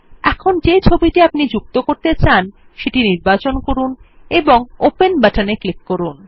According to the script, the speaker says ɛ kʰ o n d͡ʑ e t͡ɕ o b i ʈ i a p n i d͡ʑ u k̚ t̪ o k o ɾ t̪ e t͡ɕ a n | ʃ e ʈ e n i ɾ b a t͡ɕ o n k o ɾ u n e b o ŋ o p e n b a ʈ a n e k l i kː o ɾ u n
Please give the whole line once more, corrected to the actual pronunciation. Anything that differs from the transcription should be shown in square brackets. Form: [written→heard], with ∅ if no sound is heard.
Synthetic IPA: ɛ kʰ o n d͡ʑ e [t͡ɕ→t͡ɕʰ] o b i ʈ i a p n i d͡ʑ u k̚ t̪ o k o ɾ t̪ e t͡ɕ a n | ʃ e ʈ [e→i] n i ɾ b a t͡ɕ o n k o ɾ u n e b o ŋ o p e n b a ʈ a n e k l i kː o ɾ u n